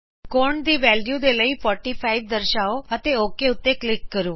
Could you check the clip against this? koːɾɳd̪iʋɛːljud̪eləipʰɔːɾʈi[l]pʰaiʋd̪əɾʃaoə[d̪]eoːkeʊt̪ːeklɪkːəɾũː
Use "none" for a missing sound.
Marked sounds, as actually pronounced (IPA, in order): none, t̪

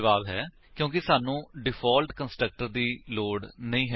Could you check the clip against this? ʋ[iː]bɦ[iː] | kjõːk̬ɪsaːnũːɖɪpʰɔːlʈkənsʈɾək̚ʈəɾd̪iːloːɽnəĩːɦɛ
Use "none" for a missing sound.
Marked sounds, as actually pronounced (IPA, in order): aː, ɛː

